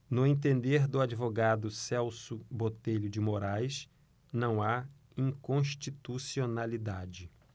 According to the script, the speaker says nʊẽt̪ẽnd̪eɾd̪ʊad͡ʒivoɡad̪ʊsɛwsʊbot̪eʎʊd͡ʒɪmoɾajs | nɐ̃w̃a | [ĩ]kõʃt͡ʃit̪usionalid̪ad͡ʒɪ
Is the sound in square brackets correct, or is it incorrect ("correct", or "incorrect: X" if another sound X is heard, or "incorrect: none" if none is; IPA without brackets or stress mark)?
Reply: correct